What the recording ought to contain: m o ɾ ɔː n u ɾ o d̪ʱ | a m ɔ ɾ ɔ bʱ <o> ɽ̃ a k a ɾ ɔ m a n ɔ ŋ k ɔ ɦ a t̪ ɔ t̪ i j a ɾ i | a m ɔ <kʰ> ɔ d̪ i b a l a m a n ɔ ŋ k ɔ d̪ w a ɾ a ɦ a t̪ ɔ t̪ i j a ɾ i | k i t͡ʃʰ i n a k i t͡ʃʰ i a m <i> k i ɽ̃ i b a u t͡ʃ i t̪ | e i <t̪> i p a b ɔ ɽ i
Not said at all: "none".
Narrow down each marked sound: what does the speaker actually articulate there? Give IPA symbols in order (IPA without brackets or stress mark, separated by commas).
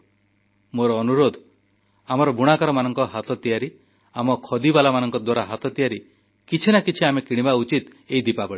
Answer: u, kʰ, e, d̪